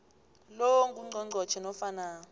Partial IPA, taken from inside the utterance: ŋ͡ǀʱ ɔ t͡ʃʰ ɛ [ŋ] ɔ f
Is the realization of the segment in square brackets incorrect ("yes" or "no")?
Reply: yes